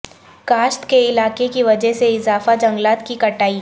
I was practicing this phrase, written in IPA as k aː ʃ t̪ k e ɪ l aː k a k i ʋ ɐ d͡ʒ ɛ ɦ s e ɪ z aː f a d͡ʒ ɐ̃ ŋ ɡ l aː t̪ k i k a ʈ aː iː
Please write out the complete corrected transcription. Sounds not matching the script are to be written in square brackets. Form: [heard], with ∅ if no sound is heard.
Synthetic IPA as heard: k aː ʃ t̪ k e ɪ l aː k [e] k i ʋ ɐ d͡ʒ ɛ ɦ s e ɪ z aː f a d͡ʒ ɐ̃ ŋ ɡ l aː t̪ k i k [ɐ] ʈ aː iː